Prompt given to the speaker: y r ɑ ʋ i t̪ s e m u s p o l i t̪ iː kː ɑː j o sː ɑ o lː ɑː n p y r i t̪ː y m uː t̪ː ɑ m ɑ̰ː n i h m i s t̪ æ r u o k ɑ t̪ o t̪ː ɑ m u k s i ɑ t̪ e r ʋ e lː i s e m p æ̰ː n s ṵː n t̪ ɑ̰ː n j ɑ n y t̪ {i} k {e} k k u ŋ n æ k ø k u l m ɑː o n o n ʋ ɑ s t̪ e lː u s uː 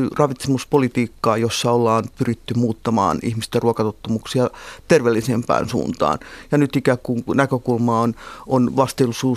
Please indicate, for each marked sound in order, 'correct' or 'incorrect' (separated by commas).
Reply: correct, incorrect